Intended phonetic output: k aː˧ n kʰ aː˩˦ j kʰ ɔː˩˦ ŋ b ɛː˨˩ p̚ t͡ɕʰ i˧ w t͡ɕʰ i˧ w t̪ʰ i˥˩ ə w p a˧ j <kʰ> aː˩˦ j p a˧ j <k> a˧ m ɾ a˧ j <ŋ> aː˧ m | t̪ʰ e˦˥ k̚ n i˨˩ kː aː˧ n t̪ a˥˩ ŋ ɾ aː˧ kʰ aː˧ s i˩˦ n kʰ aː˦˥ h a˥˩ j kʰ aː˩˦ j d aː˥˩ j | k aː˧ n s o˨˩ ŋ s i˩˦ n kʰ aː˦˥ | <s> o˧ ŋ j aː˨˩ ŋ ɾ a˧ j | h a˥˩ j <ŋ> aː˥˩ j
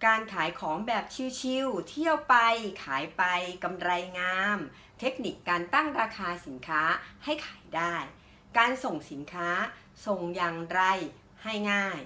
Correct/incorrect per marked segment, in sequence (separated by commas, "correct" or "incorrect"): correct, correct, correct, correct, correct